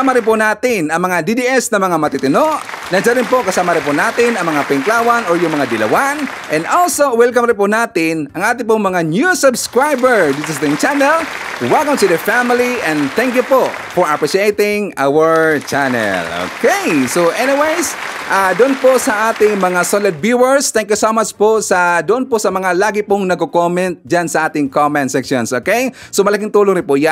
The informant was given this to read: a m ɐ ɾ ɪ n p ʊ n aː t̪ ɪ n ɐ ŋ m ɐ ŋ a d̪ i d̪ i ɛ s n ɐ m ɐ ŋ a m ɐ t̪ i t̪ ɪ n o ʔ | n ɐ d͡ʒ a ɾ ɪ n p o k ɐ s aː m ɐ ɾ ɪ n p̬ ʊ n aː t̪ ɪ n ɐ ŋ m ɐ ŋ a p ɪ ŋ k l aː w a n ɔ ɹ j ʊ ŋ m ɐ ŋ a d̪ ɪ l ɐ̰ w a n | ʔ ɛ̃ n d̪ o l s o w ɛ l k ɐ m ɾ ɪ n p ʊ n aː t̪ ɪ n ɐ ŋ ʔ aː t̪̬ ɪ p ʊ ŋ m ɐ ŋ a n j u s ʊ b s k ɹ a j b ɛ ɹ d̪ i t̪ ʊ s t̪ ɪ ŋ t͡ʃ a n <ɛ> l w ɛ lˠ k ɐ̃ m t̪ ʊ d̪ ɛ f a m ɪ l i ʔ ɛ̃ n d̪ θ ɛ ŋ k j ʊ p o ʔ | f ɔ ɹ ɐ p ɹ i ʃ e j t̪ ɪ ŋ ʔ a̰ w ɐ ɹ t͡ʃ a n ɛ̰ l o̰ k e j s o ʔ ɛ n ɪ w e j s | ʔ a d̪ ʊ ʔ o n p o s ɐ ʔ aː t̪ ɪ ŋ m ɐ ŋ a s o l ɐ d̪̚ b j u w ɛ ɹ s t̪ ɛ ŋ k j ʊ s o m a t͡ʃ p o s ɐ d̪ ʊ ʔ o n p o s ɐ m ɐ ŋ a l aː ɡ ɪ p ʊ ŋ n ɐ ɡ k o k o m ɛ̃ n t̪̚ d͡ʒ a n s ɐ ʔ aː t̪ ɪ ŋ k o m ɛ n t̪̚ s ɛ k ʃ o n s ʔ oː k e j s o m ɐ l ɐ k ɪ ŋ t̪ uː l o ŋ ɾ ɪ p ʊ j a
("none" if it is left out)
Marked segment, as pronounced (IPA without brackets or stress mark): ɛ